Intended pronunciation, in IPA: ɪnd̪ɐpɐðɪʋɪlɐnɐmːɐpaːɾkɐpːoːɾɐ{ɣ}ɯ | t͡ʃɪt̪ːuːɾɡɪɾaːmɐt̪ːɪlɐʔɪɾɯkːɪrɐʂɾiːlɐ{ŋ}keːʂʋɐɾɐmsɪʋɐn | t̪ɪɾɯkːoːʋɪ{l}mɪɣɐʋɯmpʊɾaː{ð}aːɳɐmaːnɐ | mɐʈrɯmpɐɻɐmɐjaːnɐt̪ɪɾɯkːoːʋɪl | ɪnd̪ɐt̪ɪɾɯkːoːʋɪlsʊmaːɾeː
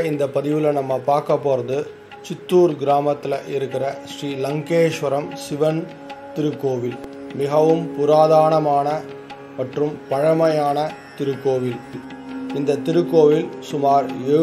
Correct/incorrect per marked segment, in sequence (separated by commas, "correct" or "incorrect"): incorrect, correct, correct, correct